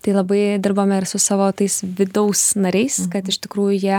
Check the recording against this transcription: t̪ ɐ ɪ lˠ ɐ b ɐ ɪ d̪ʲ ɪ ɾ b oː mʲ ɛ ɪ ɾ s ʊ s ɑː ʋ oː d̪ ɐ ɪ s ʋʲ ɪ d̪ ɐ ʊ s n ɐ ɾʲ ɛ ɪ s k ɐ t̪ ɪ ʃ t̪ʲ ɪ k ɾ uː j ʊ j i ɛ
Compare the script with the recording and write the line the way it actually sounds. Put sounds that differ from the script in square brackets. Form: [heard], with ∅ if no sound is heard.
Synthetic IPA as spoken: t̪ ɐ ɪ lˠ ɐ b ɐ ɪ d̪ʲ ɪ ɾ b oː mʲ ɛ ɪ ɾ s ʊ s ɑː ʋ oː [t̪] ɐ ɪ s ʋʲ ɪ d̪ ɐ ʊ s n ɐ ɾʲ ɛ ɪ s k ɐ t̪ ɪ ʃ t̪ʲ ɪ k ɾ uː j ʊ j i ɛ